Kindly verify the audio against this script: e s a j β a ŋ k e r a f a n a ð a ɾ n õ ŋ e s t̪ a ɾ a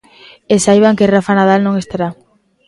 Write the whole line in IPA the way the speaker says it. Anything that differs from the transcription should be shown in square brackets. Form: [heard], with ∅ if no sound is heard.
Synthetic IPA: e s a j β a ŋ k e r a f a n a ð a [l] n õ ŋ e s t̪ a ɾ a